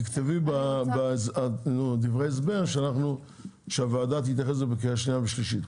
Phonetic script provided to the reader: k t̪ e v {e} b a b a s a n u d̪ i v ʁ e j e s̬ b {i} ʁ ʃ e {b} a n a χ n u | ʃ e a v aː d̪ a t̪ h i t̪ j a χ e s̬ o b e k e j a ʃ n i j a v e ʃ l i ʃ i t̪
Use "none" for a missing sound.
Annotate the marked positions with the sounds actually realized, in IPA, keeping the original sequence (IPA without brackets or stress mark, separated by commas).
i, e, none